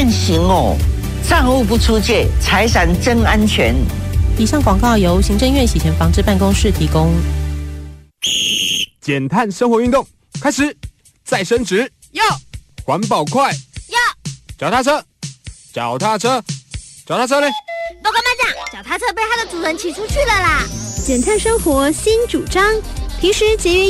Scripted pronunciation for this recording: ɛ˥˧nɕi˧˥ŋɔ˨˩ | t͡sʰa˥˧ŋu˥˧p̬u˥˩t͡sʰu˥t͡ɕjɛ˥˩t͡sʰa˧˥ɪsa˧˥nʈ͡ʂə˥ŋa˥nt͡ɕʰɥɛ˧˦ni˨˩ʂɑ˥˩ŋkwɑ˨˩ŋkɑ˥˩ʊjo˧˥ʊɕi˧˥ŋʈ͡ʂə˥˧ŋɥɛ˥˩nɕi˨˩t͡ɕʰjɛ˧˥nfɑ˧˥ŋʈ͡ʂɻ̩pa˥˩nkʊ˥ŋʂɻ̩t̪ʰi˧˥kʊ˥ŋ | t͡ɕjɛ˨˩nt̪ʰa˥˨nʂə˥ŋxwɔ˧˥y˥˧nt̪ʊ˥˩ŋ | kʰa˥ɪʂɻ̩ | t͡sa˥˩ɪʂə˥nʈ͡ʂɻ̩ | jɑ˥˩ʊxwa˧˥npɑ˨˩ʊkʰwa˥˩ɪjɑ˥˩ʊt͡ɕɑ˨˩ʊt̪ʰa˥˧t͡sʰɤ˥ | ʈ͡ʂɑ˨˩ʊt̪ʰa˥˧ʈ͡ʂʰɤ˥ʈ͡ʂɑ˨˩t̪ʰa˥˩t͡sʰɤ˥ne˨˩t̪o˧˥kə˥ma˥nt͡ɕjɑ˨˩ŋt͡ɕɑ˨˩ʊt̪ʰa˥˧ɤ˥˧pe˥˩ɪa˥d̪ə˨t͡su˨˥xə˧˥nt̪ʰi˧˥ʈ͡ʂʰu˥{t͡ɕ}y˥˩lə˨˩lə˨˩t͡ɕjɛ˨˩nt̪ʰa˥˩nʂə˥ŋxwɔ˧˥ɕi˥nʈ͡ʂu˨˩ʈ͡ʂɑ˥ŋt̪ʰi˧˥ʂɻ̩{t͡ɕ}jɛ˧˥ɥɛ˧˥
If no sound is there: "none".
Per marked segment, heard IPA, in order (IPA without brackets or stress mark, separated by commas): t͡ɕʰ, t͡ɕ